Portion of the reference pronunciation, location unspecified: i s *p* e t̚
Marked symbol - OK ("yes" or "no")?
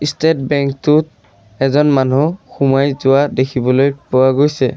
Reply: no